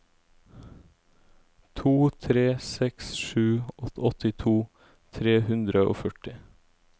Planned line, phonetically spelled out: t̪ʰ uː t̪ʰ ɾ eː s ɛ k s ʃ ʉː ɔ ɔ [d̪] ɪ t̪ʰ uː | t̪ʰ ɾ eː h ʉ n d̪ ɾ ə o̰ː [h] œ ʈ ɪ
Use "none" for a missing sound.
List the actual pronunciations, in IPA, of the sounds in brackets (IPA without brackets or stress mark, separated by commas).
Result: t̪, f